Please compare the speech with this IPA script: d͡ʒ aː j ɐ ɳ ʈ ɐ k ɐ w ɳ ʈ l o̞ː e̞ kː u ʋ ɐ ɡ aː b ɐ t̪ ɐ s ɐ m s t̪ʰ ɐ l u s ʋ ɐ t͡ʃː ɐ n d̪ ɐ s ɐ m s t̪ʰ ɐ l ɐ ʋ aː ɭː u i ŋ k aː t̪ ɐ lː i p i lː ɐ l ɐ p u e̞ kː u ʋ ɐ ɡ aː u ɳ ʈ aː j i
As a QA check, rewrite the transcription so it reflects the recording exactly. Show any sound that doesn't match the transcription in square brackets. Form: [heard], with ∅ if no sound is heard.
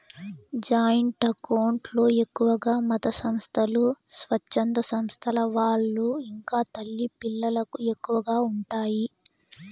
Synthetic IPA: d͡ʒ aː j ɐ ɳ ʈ ɐ k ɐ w ɳ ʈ l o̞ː e̞ kː u ʋ ɐ ɡ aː [m] ɐ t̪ ɐ s ɐ m s t̪ʰ ɐ l u s ʋ ɐ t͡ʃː ɐ n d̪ ɐ s ɐ m s t̪ʰ ɐ l ɐ ʋ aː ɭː u i ŋ k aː t̪ ɐ lː i p i lː ɐ l ɐ [k] u e̞ kː u ʋ ɐ ɡ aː u ɳ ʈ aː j i